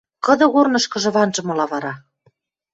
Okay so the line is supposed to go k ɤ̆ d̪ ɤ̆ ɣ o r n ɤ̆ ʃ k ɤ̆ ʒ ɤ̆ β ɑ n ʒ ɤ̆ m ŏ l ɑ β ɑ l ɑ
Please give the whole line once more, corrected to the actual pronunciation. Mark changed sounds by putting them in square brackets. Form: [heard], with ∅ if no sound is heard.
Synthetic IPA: k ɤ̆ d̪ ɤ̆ ɣ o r n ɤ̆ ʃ k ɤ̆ ʒ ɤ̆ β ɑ n ʒ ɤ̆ m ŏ l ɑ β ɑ [ɾ] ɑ

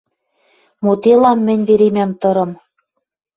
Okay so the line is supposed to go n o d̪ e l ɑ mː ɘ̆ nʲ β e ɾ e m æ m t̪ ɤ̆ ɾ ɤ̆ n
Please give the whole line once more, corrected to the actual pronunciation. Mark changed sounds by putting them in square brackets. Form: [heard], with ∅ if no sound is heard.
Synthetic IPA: [m] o [t̪] e l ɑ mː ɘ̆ nʲ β e ɾ e m æ m t̪ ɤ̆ ɾ ɤ̆ [m]

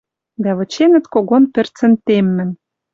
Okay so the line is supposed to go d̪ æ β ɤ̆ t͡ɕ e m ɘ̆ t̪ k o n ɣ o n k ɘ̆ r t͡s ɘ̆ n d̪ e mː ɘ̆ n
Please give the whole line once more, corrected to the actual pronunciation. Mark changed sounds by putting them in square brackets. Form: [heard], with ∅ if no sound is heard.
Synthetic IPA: d̪ æ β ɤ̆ t͡ɕ e [n] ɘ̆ t̪ k o [∅] ɣ o n [p] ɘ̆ r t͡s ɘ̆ n [t̪] e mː ɘ̆ n

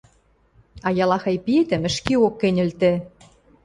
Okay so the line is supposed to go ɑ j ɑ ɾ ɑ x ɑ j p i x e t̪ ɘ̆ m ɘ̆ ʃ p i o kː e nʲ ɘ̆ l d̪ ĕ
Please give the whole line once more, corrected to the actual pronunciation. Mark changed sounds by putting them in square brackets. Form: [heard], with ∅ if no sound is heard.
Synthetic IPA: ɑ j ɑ [l] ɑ x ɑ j p i [∅] e t̪ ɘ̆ m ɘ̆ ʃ [k] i o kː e nʲ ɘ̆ l [t̪] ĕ

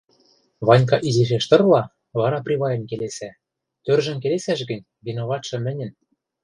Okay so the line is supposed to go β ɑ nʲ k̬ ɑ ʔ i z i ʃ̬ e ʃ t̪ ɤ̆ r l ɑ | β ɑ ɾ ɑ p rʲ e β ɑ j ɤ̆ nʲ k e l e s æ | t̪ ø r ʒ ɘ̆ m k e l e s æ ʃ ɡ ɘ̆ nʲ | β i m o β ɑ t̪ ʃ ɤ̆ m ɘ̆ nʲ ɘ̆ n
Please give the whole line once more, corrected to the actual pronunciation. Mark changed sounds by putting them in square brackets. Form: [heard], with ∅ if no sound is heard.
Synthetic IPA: β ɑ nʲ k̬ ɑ ʔ i z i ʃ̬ e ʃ t̪ ɤ̆ r l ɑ | β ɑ ɾ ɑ p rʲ [i] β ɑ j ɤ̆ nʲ k e l e s æ | t̪ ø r ʒ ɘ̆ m k e l e s æ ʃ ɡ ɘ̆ nʲ | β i [n] o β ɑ t̪ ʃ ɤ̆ m ɘ̆ nʲ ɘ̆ n

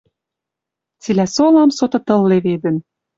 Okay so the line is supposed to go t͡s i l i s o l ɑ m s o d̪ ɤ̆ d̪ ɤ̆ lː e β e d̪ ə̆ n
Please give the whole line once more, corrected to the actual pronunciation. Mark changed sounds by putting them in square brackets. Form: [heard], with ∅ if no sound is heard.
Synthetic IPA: t͡s i l [æ] s o l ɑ m s o [t̪] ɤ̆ [t̪] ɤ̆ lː e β e d̪ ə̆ n

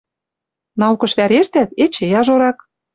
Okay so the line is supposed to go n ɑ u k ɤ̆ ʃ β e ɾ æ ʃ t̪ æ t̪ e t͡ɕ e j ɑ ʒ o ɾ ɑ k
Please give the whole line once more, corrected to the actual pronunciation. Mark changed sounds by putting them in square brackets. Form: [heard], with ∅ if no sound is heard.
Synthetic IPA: n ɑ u k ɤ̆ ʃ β [æ] ɾ [e] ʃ t̪ æ t̪ e t͡ɕ e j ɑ ʒ o ɾ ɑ k

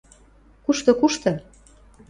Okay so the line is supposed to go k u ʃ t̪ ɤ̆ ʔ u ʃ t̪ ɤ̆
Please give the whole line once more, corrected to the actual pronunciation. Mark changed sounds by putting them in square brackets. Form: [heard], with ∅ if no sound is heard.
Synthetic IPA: k u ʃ t̪ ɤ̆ [k] u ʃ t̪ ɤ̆

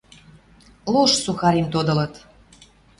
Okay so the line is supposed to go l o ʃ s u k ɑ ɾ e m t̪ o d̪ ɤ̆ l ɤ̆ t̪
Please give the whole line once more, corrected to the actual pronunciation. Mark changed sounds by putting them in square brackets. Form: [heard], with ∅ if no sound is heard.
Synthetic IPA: l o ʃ s u [x] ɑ ɾ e m t̪ o d̪ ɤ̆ l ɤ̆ t̪

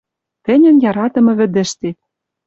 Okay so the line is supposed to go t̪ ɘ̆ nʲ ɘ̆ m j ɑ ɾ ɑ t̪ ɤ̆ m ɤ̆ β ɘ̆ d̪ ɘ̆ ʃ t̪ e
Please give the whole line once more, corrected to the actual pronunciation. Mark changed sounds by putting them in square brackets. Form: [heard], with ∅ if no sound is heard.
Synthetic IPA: t̪ ɘ̆ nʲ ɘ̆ [n] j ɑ ɾ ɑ t̪ ɤ̆ m ɤ̆ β ɘ̆ d̪ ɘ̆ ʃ t̪ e

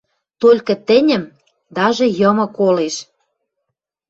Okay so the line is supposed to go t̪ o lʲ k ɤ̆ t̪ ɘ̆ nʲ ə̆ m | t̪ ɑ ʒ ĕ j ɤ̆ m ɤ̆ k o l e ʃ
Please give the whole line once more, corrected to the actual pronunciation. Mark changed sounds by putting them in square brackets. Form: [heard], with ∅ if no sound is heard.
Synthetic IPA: t̪ o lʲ k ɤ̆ t̪ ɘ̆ nʲ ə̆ m | [d̪] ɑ ʒ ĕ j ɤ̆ m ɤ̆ k o l e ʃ

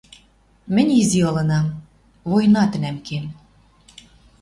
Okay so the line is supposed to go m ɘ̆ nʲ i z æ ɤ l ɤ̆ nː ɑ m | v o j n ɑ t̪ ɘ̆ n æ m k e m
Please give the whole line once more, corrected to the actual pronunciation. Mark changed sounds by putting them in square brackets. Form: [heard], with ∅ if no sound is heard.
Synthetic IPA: m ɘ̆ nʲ i z [i] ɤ l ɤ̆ [n] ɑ m | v o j n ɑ t̪ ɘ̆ n æ m k e m

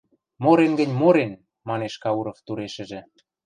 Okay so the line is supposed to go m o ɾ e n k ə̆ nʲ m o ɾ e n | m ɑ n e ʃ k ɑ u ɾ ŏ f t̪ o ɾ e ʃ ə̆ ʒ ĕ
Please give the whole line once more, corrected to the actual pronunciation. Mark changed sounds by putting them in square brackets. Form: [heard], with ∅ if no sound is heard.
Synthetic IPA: m o ɾ e n [ɡ] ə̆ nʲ m o ɾ e n | m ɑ n e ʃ k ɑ u ɾ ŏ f t̪ [u] ɾ e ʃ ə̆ ʒ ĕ

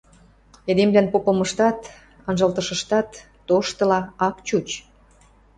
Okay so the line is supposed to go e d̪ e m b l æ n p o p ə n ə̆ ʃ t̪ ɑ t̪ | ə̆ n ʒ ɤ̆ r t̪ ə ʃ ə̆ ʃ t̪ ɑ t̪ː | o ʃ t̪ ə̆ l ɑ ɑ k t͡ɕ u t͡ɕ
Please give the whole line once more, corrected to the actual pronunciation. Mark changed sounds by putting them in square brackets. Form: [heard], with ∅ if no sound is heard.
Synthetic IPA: e d̪ e m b l æ n p o p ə [m] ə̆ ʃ t̪ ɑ t̪ | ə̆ n ʒ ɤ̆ [l] t̪ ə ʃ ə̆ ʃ t̪ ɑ t̪ː | o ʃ t̪ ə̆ l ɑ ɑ k t͡ɕ u t͡ɕ

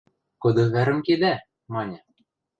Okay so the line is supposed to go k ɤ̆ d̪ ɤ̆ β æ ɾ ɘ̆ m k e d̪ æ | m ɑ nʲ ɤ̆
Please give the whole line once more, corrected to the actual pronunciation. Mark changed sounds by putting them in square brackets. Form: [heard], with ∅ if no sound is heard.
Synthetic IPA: k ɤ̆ d̪ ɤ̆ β æ ɾ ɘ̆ m k e d̪ æ | m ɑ nʲ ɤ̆

